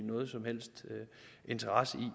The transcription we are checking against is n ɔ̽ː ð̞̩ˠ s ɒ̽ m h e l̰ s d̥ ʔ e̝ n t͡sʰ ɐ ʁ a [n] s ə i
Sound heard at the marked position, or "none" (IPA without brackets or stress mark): none